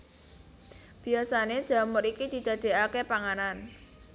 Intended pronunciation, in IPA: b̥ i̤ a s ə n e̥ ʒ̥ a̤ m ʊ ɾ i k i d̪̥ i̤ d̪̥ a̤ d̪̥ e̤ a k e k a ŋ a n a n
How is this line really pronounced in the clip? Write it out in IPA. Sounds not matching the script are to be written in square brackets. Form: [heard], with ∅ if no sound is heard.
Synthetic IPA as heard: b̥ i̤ a s [a] n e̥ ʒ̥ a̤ m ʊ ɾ i k i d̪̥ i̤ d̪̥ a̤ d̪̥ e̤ a k e [p] a ŋ a n a n